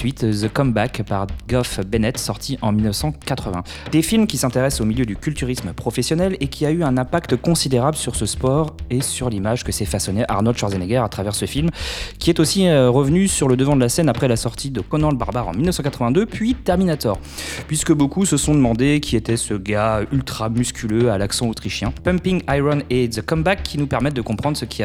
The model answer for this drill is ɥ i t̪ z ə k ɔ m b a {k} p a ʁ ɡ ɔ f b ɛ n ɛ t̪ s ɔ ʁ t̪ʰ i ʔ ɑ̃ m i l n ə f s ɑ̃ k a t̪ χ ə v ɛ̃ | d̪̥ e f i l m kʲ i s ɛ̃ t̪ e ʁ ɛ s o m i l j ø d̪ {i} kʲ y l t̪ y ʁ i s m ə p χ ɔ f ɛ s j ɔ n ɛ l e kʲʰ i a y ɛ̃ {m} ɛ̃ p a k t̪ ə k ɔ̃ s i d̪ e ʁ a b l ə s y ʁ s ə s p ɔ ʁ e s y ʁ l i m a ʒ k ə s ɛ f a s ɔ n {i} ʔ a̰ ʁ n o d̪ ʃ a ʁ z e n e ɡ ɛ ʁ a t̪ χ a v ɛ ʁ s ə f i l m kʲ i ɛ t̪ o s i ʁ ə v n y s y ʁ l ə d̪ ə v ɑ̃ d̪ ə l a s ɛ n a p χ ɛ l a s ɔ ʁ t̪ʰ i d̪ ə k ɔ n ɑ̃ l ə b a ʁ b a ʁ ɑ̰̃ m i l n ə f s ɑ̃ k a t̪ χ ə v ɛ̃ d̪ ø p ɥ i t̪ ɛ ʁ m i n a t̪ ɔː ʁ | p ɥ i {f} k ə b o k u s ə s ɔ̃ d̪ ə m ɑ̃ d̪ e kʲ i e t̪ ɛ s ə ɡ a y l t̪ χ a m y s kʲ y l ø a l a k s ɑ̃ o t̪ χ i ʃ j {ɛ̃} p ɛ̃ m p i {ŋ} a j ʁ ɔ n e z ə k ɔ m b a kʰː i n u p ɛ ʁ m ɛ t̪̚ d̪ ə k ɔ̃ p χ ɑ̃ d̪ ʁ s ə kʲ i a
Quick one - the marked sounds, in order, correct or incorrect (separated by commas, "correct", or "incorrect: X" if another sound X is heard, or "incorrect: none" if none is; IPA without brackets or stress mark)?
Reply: correct, incorrect: y, incorrect: n, incorrect: e, incorrect: s, correct, correct